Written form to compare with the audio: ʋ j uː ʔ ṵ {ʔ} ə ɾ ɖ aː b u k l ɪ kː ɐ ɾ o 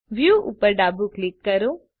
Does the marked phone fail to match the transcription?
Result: yes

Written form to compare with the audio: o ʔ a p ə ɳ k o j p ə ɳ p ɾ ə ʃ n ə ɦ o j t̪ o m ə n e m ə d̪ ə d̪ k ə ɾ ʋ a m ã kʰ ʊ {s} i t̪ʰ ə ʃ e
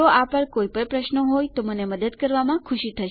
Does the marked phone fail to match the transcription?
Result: yes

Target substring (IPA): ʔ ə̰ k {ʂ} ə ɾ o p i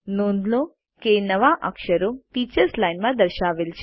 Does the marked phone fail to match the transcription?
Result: yes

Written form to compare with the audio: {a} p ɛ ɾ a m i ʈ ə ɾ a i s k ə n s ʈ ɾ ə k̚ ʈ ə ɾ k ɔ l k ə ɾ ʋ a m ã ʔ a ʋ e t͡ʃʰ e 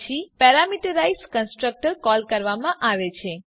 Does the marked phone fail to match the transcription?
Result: yes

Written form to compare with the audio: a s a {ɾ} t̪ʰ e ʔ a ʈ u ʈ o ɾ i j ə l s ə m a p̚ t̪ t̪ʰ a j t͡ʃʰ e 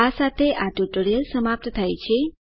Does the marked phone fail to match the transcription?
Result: yes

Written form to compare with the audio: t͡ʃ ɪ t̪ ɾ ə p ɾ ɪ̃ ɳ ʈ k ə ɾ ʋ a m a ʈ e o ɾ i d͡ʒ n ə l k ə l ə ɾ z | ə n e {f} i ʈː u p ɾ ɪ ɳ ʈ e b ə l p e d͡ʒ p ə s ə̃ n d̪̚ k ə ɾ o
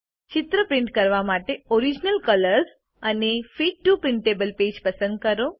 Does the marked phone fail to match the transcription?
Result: no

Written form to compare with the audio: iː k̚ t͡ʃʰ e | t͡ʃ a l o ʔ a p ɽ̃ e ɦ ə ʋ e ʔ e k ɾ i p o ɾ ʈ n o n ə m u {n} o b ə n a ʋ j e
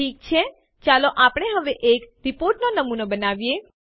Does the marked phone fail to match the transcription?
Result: no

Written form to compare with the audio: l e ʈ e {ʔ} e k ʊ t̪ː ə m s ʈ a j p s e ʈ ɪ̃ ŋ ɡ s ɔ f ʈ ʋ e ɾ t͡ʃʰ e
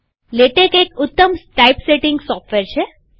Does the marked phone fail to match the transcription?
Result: yes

